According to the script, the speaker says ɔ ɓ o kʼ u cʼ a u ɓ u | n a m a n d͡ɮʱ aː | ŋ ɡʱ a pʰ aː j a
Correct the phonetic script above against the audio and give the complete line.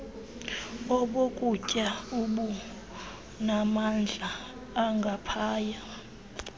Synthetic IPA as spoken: ɔ ɓ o kʼ u cʼ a u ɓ u | n a m a n d͡ɮʱ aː | ŋ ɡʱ a pʰ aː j a